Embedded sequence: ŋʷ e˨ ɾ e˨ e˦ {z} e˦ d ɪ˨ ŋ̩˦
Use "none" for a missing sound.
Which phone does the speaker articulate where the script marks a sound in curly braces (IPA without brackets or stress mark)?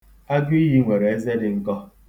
z